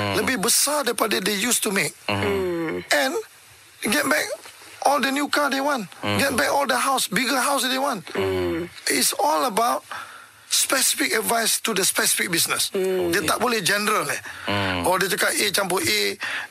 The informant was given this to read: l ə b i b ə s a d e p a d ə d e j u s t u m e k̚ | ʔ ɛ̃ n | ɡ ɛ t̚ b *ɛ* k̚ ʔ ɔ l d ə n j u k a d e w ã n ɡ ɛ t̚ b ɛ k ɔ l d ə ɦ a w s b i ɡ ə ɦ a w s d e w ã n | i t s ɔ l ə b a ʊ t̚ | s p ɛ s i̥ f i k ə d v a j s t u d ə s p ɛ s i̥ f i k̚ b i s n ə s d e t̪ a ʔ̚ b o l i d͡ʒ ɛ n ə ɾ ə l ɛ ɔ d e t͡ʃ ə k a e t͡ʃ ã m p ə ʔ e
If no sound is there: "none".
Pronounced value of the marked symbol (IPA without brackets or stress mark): ɛ